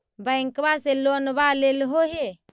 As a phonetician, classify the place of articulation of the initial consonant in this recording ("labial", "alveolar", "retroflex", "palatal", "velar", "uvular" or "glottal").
labial